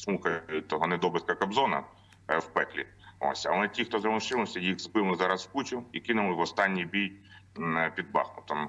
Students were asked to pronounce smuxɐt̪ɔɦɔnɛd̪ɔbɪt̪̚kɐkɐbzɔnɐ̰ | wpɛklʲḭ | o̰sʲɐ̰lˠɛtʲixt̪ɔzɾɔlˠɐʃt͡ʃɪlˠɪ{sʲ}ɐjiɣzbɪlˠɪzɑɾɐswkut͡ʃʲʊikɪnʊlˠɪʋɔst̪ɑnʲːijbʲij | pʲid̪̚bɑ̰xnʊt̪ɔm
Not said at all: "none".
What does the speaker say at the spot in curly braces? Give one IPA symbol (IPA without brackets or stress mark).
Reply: sʲ